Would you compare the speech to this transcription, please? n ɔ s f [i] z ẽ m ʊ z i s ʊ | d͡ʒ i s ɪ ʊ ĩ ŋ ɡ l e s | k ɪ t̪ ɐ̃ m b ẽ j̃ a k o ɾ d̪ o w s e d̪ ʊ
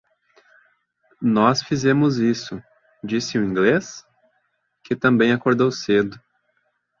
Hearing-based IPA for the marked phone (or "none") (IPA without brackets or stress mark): i